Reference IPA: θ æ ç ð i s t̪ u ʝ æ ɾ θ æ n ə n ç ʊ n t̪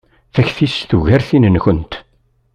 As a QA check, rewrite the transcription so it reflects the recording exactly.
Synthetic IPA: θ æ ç θ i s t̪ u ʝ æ ɾ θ i n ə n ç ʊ n t̪